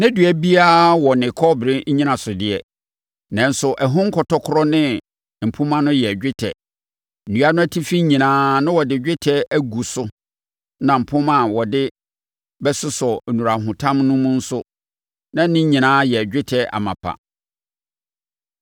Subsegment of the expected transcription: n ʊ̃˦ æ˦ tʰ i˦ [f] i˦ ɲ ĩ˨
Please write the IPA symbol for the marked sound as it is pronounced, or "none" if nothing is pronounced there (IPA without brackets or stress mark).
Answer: f